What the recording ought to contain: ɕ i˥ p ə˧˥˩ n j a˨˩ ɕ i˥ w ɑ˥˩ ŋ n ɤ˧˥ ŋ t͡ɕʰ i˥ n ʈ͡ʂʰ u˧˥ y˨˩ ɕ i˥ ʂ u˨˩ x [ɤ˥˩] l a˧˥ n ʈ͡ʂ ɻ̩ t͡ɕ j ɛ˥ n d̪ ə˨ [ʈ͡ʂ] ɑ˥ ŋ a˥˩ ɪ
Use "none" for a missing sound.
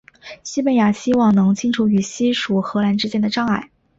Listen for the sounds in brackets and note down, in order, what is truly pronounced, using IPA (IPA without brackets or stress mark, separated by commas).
ɤ˧˥, ʈ͡ʂ